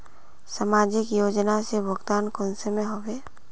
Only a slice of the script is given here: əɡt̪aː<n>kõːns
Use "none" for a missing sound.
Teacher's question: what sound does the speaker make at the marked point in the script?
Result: n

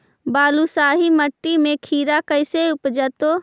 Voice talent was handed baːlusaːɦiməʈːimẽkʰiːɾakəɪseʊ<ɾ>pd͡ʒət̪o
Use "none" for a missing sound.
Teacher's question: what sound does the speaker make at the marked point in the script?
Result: none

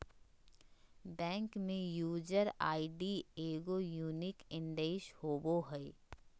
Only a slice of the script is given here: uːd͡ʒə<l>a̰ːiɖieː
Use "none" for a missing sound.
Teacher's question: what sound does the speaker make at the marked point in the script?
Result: ɾ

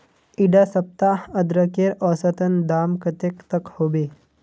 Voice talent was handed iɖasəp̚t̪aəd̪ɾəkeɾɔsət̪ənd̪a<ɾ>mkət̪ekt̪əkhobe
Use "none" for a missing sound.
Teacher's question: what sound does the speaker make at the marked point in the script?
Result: none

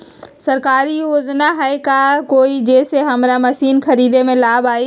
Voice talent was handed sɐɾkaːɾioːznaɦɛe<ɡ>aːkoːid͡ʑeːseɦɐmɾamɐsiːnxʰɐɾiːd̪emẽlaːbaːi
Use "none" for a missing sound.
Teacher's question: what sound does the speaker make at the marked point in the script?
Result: k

